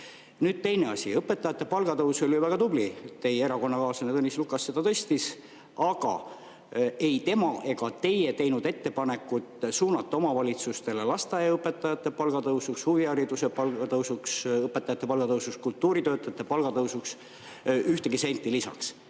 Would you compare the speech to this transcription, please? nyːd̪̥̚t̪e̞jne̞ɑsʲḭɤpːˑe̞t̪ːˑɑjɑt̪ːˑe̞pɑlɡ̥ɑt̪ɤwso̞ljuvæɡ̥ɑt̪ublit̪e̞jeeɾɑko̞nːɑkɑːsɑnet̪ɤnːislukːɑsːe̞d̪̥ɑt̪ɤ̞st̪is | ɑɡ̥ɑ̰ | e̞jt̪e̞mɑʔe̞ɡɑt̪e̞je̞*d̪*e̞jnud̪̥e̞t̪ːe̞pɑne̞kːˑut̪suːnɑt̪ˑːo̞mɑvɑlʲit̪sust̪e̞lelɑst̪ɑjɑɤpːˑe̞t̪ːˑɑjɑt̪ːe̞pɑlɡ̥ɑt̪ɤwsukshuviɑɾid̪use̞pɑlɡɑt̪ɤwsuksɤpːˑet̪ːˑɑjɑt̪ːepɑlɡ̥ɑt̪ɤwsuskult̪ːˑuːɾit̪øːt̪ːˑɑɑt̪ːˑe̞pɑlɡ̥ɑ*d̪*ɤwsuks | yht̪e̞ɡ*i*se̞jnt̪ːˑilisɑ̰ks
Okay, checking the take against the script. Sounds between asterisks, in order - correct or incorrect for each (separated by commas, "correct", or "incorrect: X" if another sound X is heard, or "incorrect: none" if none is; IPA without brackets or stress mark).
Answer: incorrect: t̪, incorrect: t̪, correct